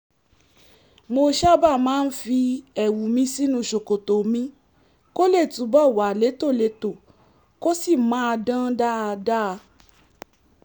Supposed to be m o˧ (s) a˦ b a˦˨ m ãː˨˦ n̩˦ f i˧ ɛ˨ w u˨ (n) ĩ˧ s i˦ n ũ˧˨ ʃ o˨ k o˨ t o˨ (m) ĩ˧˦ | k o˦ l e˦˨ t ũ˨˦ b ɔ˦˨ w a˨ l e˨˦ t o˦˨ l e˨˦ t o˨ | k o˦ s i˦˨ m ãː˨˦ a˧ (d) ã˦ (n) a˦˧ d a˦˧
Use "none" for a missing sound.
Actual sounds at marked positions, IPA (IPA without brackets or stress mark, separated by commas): ʃ, m, m, d, d